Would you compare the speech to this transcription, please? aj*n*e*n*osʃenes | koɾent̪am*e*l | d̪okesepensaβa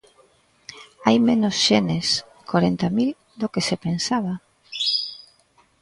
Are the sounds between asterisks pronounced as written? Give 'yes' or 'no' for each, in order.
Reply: no, yes, no

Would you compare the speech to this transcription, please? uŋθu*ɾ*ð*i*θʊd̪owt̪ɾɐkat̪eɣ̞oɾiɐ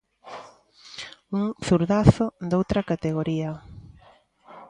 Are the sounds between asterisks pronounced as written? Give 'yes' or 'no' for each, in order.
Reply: yes, no

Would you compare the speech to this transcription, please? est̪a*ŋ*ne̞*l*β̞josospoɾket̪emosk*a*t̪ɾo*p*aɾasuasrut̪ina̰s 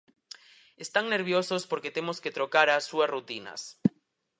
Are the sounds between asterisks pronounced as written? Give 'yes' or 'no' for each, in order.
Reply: yes, no, no, no

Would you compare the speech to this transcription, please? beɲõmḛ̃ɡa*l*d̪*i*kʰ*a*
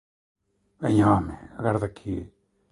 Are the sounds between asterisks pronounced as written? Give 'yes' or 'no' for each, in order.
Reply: no, no, no

